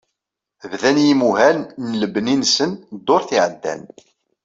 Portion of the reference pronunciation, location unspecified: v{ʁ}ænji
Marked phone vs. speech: incorrect: ð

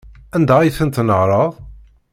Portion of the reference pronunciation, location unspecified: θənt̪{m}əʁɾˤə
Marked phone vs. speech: incorrect: n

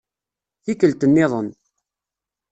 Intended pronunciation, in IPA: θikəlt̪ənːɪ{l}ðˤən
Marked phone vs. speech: incorrect: none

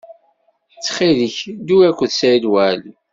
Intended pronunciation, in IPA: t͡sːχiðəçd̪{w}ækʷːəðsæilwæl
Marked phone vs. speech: incorrect: u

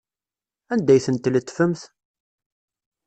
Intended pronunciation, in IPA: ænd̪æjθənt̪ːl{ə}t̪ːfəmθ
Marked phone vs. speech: correct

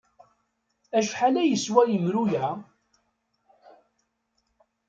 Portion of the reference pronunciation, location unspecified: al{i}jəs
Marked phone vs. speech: incorrect: æ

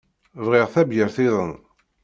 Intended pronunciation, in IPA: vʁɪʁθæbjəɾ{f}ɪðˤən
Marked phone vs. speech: incorrect: θ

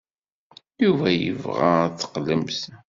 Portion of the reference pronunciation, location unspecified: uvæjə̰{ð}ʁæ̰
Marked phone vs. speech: incorrect: v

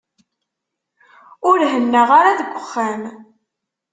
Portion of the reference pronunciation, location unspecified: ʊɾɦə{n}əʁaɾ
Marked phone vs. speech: incorrect: nː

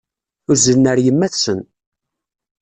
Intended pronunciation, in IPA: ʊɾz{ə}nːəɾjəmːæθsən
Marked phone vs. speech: correct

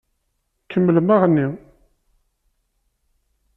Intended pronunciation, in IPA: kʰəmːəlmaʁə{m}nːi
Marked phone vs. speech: incorrect: none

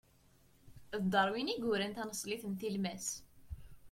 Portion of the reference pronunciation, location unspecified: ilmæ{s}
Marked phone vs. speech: correct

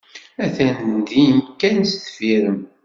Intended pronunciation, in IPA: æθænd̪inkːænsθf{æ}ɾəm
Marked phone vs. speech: incorrect: i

